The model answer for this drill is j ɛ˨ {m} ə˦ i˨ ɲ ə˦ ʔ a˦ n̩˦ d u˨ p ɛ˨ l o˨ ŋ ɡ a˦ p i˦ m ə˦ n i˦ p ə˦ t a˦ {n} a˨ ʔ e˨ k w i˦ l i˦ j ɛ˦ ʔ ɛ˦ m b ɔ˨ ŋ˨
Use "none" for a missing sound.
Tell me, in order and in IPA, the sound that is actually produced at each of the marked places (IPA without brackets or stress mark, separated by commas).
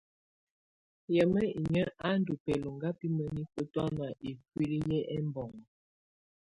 m, n